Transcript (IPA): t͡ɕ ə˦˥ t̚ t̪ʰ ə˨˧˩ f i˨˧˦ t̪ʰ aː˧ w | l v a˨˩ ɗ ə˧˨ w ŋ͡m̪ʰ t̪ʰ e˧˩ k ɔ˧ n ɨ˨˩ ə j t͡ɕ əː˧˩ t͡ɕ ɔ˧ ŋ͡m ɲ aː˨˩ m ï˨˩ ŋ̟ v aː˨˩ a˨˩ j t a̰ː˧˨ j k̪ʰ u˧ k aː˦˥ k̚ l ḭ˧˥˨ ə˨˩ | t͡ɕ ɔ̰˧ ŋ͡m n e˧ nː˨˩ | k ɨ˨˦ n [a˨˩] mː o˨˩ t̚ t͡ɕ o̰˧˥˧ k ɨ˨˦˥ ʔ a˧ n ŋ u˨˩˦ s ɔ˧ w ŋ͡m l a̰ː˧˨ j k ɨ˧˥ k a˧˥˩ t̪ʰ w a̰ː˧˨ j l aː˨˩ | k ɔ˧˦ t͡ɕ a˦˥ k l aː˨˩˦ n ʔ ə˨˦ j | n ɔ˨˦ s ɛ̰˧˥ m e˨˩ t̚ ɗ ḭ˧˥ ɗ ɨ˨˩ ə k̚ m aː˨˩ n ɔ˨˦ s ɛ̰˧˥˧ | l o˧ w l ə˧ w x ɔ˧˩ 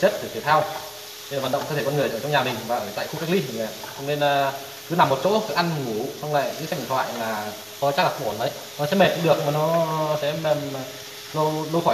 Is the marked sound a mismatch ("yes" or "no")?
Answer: no